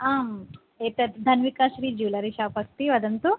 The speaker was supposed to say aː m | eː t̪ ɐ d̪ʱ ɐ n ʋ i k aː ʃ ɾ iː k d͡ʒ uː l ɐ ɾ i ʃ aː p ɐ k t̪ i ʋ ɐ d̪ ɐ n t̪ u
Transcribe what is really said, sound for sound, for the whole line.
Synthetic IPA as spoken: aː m | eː t̪ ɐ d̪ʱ ɐ n ʋ i k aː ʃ ɾ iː d͡ʒ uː l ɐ ɾ i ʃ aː p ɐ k t̪ i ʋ ɐ d̪ ɐ n t̪ u